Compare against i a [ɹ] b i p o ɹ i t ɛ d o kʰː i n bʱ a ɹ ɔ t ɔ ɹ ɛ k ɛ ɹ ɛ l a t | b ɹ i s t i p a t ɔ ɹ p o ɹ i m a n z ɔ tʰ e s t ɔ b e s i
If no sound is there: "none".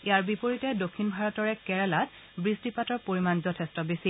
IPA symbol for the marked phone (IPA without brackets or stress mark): ɹ